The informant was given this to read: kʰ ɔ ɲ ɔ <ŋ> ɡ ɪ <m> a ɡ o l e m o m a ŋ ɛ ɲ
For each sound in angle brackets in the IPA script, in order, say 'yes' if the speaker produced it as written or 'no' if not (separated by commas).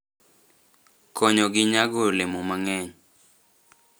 no, no